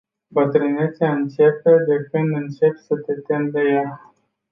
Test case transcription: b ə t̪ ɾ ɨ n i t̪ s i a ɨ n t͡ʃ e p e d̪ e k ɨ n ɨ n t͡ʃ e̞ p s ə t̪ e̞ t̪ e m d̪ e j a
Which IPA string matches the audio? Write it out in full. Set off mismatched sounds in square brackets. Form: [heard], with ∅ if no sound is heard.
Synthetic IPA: b ə t̪ ɾ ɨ n [e] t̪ s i a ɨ n t͡ʃ e p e d̪ e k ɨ n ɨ n t͡ʃ e̞ p s ə t̪ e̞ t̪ e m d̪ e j a

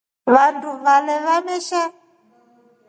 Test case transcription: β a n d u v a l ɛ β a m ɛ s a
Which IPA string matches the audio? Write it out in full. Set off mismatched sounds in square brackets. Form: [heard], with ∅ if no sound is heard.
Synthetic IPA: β a n d u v a l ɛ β a m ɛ [ʃ] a

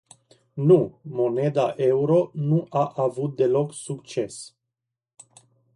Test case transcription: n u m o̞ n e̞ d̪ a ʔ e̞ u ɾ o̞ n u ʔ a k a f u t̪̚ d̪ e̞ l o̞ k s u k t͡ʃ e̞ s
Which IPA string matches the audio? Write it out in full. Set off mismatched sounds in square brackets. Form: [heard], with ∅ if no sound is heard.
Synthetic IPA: n u m o̞ n e̞ d̪ a ʔ e̞ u ɾ o̞ n u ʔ a [ʔ] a [v] u t̪̚ d̪ e̞ l o̞ k s u k t͡ʃ e̞ s

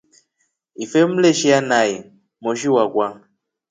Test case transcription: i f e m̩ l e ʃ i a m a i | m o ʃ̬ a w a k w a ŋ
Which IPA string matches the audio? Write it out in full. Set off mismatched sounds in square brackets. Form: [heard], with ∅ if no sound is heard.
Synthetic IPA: i f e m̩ l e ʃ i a [n] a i | m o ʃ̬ [i] w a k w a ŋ

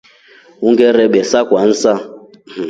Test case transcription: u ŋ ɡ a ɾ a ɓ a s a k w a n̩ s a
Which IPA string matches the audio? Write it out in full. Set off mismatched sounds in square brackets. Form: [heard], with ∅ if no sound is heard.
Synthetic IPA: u ŋ ɡ [ɛ] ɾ [ɛ] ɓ [ɛ] s a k w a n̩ s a

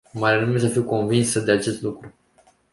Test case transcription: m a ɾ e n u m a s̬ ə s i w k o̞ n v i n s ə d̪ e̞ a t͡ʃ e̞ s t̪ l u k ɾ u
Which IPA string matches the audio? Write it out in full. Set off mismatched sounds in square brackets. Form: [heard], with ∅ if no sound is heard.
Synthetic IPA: m a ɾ e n u m [e] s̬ ə [f] i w k o̞ n v i n s ə d̪ e̞ a t͡ʃ e̞ s t̪ l u k ɾ u

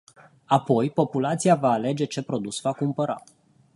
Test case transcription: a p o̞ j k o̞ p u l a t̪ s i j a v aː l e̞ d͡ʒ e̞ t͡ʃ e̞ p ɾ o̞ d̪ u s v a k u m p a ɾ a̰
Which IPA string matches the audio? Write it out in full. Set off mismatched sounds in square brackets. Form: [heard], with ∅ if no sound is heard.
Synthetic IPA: a p o̞ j [p] o̞ p u l a t̪ s i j a v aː l e̞ d͡ʒ e̞ t͡ʃ e̞ p ɾ o̞ d̪ u s v a k u m p [ə] ɾ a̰

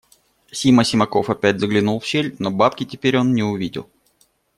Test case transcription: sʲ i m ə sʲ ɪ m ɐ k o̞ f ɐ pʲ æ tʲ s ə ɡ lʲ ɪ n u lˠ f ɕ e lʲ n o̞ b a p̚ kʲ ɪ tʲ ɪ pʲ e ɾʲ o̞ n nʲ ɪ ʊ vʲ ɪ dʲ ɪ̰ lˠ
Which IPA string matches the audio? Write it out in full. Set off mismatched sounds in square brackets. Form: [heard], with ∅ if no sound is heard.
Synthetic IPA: sʲ i m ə sʲ ɪ m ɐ k o̞ f ɐ pʲ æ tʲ [z] ə ɡ lʲ ɪ n u lˠ f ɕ e lʲ n o̞ b a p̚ kʲ ɪ tʲ ɪ pʲ e ɾʲ o̞ n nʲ ɪ ʊ vʲ [i] dʲ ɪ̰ lˠ

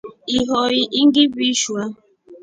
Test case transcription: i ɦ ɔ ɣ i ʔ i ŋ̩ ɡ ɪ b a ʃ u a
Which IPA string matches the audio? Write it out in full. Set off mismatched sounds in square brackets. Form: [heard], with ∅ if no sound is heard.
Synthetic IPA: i ɦ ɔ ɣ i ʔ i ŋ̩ ɡ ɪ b [i] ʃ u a

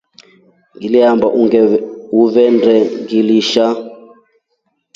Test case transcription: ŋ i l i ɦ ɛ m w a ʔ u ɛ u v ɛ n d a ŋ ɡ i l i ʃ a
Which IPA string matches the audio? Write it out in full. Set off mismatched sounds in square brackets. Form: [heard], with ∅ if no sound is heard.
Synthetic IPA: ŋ i l i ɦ [a] m [b] a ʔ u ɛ u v ɛ n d [ɛ] ŋ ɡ i l i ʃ a

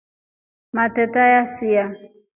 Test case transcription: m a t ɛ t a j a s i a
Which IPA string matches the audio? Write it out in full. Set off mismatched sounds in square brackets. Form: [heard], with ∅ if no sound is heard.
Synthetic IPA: m a t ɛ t a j a s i a

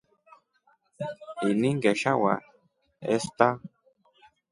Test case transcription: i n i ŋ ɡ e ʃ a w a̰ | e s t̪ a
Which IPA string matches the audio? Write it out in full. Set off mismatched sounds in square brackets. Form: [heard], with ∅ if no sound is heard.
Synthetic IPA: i n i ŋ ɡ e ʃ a w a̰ | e s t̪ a

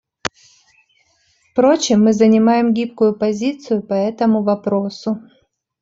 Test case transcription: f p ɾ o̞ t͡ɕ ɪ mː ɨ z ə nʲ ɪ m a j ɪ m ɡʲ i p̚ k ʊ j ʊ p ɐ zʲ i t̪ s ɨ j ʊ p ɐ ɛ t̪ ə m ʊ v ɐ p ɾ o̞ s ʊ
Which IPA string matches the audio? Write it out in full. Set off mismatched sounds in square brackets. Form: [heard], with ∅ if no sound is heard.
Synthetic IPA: f p ɾ o̞ t͡ɕ ɪ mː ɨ z ə nʲ ɪ m a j ɪ m ɡʲ i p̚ k ʊ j ʊ p ɐ zʲ i t̪ s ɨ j ʊ p ɐ ɛ t̪ ə m ʊ v ɐ p ɾ o̞ s ʊ

